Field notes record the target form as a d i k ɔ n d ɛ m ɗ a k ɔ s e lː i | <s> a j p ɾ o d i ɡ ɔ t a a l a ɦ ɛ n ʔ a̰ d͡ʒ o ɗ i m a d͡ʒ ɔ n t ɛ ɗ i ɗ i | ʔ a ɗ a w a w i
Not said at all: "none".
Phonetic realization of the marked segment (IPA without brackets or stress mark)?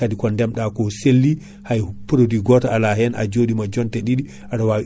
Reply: h